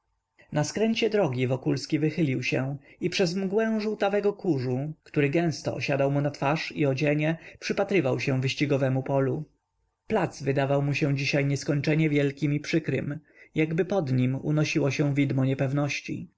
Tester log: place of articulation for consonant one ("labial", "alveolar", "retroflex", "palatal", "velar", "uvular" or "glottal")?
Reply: alveolar